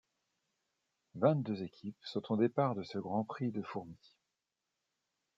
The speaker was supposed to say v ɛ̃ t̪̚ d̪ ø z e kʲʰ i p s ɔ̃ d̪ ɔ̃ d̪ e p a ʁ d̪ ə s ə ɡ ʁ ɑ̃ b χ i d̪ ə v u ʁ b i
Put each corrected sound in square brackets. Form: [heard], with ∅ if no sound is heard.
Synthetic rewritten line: v ɛ̃ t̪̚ d̪ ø z e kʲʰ i p s ɔ̃ [t̪] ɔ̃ d̪ e p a ʁ d̪ ə s ə ɡ ʁ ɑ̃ [p] χ i d̪ ə [f] u ʁ [m] i